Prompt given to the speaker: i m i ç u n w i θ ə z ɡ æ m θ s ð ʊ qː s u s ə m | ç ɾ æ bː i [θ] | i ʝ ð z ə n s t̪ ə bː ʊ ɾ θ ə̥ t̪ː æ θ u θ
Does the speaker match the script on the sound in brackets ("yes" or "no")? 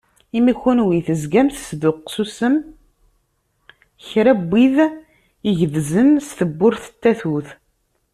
no